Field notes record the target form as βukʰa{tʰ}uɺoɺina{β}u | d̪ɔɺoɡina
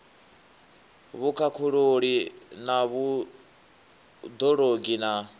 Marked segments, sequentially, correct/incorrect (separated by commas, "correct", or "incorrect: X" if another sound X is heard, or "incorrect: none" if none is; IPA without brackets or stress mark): incorrect: kʰ, correct